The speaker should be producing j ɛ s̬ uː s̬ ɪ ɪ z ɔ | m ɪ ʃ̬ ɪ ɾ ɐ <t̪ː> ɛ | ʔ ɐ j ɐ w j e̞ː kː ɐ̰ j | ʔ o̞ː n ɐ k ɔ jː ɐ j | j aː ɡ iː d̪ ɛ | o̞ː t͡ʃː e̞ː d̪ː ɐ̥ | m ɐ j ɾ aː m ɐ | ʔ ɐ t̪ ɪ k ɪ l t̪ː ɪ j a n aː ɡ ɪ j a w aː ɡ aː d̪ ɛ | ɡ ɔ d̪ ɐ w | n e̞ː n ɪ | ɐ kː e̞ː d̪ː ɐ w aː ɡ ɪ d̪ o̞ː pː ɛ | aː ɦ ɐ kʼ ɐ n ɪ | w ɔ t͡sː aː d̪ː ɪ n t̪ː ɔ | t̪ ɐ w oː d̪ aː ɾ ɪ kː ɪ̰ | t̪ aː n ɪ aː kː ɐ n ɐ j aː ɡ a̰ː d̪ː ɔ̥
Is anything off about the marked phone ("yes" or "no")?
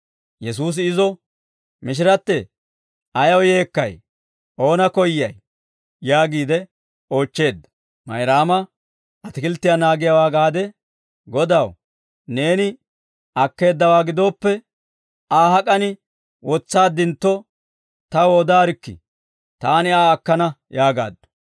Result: no